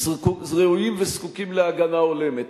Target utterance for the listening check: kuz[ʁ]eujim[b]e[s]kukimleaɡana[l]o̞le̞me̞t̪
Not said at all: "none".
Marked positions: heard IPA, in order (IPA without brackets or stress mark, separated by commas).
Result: ʁ, v, s, none